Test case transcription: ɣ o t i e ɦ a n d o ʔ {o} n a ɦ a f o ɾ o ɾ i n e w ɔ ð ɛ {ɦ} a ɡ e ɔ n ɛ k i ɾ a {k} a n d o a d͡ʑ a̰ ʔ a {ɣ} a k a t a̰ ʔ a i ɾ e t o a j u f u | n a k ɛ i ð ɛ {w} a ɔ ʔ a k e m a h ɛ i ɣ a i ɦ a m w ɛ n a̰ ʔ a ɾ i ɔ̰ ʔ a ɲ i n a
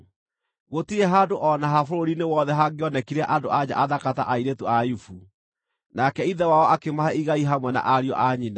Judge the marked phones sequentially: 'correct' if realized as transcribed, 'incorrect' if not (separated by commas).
incorrect, correct, incorrect, incorrect, correct